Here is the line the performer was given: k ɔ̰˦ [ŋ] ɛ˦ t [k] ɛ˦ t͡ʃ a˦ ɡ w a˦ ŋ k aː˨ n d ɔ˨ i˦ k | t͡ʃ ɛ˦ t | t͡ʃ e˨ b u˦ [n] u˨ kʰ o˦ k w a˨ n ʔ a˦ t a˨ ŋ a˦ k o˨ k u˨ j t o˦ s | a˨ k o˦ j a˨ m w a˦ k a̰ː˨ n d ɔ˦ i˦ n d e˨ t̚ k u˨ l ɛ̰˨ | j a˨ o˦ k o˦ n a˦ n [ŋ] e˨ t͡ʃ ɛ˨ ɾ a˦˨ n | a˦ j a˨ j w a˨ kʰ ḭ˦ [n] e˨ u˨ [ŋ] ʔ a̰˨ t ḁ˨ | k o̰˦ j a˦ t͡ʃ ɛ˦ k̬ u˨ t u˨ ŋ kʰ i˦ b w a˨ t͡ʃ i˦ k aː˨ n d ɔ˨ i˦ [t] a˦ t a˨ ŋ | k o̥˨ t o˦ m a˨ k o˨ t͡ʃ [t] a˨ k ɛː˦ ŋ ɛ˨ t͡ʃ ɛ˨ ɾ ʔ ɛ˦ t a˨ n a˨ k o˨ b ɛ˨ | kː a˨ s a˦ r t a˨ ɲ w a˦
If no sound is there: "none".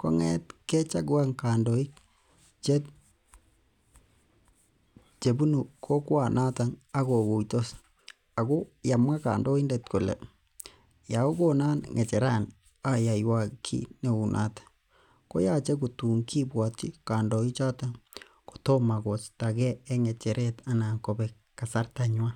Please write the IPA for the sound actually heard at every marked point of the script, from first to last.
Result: ŋ, k, n, ŋ, n, n, t͡ʃ, t

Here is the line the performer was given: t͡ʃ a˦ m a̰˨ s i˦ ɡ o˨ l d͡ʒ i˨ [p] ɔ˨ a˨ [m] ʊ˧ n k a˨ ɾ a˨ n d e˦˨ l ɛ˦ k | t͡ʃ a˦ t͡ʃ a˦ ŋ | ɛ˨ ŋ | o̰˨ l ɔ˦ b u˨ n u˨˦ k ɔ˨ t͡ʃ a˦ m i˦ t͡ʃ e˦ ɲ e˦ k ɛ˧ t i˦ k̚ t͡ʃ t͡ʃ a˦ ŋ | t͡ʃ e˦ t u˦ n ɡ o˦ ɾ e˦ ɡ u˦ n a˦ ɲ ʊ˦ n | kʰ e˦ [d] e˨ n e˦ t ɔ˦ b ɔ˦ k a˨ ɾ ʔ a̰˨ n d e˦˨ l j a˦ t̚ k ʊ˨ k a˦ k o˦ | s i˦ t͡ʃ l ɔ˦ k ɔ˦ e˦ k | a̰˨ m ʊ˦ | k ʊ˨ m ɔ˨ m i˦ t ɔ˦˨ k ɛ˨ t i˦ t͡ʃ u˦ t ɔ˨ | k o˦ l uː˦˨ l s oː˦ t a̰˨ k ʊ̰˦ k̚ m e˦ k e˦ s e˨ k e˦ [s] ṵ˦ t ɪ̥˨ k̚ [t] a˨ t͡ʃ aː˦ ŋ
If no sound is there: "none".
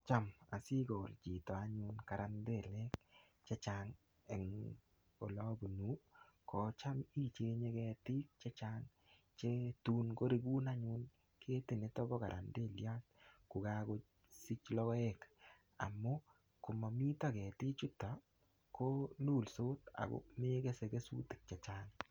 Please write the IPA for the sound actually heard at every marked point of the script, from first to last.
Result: t, ɲ, t, s, t͡ʃ

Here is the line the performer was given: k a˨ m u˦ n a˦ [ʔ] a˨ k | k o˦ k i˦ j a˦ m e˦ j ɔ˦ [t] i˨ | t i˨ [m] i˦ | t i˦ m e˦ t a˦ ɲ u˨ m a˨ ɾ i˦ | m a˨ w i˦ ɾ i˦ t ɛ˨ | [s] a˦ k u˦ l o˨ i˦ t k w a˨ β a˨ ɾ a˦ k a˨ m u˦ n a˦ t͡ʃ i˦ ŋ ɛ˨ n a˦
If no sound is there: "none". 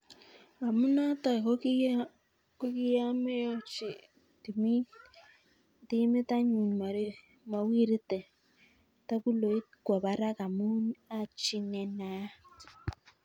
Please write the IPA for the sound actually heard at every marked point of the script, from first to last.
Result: t, t͡ʃ, m, t

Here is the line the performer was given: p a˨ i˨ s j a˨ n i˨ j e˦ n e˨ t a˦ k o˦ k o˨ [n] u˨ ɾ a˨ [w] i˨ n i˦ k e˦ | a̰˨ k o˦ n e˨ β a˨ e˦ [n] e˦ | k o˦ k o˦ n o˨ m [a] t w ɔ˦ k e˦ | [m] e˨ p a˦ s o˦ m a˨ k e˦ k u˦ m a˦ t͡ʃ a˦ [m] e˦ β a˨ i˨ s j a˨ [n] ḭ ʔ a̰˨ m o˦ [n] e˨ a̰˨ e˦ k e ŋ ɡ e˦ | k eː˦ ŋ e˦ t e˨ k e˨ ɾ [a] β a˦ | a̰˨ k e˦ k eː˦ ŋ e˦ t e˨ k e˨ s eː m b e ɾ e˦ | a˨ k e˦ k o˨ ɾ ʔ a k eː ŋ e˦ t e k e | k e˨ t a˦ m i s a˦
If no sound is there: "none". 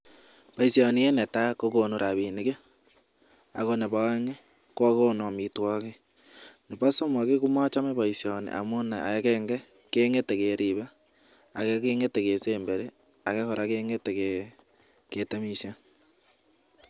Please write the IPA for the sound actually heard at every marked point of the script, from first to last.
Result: n, β, ŋ, i, n, m, n, n, i

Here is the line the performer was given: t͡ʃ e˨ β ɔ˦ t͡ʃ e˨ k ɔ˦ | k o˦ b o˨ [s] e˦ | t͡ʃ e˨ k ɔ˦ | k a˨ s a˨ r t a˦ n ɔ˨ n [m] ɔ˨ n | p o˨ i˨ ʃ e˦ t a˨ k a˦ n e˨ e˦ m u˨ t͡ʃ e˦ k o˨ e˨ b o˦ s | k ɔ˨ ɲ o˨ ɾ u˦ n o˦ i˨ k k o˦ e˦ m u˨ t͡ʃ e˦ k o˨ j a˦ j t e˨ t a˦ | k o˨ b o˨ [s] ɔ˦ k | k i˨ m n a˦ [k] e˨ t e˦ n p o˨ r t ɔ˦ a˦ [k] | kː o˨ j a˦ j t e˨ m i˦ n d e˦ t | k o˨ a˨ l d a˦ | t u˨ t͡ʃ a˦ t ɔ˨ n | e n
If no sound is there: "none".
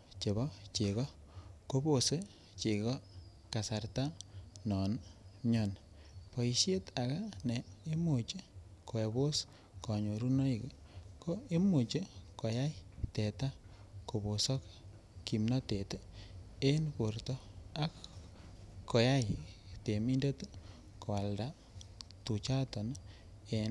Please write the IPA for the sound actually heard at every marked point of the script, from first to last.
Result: s, ɲ, s, t, k

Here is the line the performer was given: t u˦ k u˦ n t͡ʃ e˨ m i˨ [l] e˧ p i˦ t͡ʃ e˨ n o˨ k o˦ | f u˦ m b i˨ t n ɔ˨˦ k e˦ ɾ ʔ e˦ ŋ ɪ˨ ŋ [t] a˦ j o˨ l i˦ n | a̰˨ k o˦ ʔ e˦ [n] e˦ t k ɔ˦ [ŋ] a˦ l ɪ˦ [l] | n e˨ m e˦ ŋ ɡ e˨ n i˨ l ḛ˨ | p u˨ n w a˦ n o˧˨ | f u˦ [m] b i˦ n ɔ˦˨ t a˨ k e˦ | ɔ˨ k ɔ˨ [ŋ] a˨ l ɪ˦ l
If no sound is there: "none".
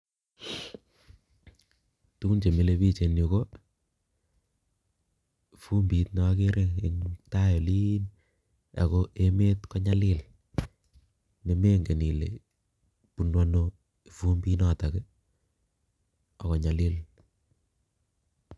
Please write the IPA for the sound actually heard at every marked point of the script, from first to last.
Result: l, t, m, ɲ, l, m, ɲ

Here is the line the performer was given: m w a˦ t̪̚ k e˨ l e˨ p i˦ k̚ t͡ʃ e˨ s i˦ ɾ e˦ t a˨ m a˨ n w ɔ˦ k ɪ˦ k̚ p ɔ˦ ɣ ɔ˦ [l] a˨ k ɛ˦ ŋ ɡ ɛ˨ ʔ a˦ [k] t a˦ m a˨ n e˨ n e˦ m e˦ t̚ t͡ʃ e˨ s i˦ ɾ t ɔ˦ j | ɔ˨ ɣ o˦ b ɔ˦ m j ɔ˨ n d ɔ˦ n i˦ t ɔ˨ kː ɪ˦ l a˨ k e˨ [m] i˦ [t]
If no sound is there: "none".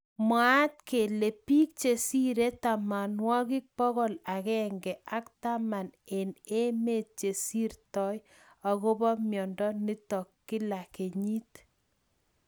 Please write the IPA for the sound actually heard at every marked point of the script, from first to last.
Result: l, k, ɲ, t

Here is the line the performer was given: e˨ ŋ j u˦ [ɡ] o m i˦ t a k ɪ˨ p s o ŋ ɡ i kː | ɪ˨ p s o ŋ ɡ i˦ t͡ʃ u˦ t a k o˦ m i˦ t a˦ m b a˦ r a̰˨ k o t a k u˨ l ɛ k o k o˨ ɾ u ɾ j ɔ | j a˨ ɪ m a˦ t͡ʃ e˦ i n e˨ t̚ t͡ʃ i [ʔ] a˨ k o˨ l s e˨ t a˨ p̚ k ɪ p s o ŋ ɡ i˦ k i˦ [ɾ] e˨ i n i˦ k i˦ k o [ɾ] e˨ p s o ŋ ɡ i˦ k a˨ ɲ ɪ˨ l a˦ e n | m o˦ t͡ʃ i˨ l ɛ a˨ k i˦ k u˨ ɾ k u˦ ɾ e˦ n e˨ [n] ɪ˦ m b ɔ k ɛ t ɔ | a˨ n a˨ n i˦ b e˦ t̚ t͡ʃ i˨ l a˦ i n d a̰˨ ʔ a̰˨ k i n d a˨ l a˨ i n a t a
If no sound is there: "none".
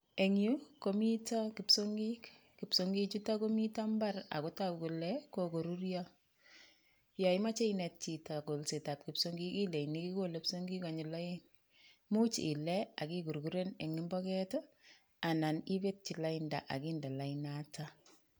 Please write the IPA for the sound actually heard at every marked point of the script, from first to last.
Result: k, t, l, l, ŋ

